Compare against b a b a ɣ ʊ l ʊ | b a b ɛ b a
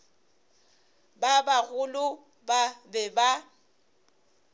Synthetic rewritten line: b a b a ɣ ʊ l ʊ | b a b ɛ b a